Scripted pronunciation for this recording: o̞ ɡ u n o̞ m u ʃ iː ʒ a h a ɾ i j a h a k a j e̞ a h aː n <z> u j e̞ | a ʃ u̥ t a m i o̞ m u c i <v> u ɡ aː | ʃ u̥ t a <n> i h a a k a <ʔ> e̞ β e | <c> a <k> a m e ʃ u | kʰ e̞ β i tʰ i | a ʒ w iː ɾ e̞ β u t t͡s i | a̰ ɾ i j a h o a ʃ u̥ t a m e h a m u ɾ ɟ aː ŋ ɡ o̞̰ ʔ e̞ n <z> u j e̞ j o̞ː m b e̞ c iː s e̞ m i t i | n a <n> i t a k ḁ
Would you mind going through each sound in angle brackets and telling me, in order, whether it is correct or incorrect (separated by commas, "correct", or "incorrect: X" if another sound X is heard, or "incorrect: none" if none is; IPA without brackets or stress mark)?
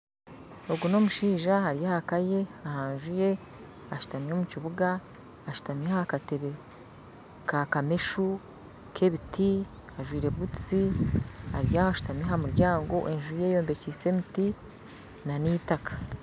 incorrect: ʒ, incorrect: β, incorrect: m, incorrect: t, incorrect: k, correct, incorrect: ʒ, correct